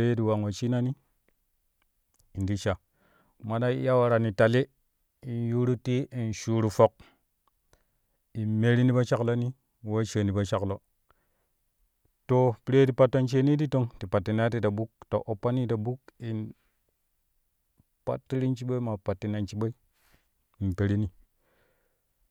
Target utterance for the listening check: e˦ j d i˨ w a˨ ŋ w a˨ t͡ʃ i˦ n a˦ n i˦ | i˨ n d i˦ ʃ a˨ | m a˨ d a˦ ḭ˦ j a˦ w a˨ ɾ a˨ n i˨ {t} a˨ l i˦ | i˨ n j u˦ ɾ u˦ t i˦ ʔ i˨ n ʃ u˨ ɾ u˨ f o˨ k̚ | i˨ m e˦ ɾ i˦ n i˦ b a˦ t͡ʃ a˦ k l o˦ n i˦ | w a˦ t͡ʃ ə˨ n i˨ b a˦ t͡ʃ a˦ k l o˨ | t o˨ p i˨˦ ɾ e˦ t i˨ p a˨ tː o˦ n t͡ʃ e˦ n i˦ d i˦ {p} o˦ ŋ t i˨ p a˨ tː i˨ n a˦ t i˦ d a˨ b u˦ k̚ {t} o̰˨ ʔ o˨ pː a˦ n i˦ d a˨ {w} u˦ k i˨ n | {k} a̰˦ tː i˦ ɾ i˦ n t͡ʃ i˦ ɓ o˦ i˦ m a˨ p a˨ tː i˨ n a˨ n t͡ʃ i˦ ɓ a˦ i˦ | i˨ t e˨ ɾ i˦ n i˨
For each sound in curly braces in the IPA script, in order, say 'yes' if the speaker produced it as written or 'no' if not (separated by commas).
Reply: yes, no, yes, no, no